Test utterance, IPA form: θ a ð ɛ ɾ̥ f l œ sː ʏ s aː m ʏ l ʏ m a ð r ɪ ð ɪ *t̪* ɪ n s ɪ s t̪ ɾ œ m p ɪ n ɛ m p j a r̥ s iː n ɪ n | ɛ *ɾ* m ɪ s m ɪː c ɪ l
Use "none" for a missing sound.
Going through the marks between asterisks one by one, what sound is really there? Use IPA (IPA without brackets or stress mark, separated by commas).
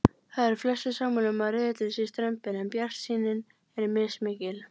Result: t̪, ɾ